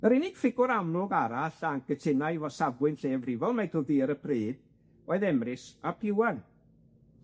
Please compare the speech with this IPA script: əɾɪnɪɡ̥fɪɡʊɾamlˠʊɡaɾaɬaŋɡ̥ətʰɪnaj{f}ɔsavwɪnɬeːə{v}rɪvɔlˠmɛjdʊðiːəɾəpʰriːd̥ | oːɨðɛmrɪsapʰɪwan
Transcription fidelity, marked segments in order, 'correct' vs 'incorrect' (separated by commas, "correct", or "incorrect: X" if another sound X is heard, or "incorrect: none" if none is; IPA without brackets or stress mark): incorrect: v, correct